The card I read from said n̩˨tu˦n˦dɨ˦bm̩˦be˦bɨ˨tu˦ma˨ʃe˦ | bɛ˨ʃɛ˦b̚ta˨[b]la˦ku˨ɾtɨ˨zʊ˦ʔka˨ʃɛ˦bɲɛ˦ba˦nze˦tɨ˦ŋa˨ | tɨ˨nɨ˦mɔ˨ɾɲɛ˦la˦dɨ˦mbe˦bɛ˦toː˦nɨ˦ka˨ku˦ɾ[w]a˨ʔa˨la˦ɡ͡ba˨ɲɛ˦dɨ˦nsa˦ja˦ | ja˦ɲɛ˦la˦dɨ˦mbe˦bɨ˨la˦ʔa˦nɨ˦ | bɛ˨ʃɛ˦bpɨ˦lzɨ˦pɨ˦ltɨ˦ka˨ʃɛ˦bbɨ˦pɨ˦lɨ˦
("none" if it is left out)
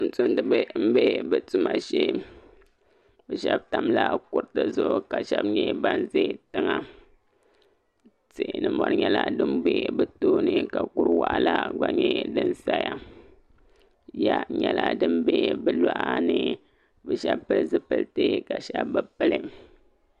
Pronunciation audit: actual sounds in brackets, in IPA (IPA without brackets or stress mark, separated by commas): m, w